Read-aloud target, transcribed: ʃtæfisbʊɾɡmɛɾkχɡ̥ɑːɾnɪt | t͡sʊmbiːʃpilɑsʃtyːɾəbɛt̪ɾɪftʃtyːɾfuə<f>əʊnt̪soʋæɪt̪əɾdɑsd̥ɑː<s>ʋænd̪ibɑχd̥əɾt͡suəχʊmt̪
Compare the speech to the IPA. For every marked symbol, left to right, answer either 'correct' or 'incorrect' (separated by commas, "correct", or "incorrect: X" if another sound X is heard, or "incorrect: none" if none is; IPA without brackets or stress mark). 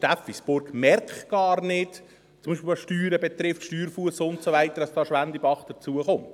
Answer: incorrect: s, incorrect: ʃ